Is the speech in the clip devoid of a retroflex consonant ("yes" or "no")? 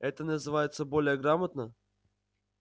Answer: yes